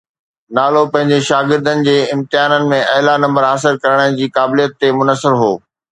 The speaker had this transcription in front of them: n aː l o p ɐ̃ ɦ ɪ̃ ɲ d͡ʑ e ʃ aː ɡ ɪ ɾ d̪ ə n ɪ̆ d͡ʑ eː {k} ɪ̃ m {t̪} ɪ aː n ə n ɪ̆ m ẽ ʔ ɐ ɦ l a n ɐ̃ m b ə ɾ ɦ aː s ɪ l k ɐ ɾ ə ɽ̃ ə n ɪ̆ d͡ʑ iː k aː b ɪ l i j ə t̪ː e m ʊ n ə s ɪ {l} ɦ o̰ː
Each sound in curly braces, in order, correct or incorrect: incorrect: none, correct, incorrect: ɾ

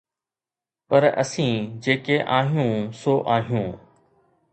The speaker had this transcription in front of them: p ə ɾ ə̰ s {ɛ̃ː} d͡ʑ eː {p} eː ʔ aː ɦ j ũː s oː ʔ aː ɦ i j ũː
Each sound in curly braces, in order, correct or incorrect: incorrect: ĩː, incorrect: k

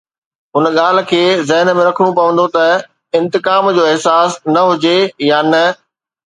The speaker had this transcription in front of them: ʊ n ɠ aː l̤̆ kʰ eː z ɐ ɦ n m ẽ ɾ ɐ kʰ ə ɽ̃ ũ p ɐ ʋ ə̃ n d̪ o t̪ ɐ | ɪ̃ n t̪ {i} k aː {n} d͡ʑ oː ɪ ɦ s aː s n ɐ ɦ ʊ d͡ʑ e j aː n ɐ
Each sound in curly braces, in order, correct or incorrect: incorrect: ɪ, incorrect: m

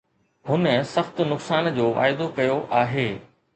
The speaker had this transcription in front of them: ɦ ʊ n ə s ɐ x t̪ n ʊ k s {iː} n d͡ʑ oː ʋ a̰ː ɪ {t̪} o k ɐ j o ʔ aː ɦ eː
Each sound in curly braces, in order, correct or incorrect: incorrect: aː, incorrect: d̪

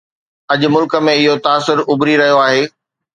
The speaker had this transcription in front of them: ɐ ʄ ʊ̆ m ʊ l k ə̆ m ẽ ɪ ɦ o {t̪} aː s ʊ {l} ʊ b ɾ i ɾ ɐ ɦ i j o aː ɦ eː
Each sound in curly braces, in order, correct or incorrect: correct, incorrect: ɾ

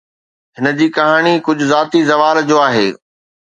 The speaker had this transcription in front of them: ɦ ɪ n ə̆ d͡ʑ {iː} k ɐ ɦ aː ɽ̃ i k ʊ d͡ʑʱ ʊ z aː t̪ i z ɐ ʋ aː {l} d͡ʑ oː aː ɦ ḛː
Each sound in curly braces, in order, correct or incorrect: correct, correct

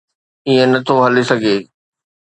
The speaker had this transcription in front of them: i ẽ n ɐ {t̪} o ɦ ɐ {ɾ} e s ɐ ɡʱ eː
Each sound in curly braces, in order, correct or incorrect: incorrect: t̪ʰ, incorrect: l

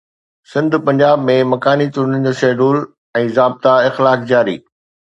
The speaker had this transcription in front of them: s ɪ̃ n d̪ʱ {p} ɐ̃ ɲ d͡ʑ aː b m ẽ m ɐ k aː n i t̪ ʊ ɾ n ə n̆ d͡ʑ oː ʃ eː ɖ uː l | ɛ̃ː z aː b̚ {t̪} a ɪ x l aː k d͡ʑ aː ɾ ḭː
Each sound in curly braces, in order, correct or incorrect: correct, correct

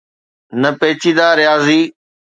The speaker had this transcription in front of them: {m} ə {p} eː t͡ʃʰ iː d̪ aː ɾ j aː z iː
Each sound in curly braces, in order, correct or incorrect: incorrect: n, correct

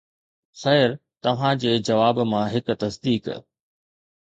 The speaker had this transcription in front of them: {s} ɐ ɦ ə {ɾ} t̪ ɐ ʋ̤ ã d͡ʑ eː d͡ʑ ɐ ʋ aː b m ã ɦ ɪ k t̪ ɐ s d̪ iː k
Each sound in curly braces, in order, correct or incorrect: correct, correct

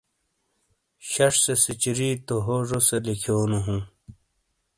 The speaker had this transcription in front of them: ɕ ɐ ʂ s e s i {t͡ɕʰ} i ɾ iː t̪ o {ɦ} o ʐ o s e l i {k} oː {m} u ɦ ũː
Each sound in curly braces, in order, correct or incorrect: incorrect: t͡ɕ, correct, incorrect: kʰ, incorrect: n

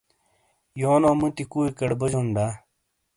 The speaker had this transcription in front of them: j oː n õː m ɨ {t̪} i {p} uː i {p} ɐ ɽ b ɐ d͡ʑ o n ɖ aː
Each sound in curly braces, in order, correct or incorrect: correct, incorrect: k, incorrect: k

